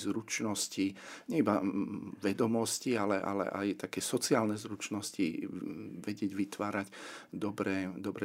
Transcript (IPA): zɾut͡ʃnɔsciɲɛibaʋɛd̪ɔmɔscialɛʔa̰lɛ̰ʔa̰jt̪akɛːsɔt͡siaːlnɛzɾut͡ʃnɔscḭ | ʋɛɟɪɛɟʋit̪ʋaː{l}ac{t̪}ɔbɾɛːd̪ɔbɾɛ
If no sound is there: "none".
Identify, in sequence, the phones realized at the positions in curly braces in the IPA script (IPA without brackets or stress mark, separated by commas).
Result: ɾ, d̪